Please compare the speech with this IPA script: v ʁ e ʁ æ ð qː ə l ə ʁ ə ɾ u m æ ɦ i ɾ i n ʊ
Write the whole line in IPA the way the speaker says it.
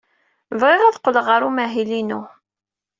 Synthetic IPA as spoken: v ʁ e ʁ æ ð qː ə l ə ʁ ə ɾ u m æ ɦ i l i n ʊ